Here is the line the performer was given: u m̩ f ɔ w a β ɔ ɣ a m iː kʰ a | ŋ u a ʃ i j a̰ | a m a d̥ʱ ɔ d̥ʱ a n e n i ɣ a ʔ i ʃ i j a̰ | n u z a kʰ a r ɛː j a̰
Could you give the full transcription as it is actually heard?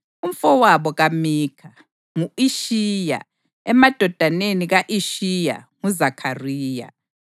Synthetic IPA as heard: u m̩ f ɔ w a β ɔ ɣ a m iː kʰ a | ŋ u i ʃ i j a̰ | ɛ m a d̥ʱ ɔ d̥ʱ a n e n i ɣ a ʔ i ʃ i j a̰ | ŋ u z a kʰ a r iː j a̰